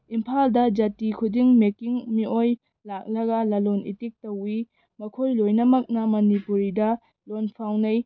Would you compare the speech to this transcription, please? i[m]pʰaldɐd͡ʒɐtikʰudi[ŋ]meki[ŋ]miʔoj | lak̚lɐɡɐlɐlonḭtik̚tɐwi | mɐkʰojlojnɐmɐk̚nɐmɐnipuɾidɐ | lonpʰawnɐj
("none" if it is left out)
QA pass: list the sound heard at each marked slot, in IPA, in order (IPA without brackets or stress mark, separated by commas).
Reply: m, ŋ, ŋ